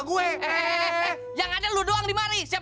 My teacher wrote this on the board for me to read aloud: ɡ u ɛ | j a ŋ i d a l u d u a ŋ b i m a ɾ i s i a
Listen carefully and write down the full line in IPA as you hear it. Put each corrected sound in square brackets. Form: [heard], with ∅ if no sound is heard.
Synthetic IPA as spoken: ɡ u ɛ | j a ŋ [a] d a l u d [o] a ŋ [d] i m a ɾ i s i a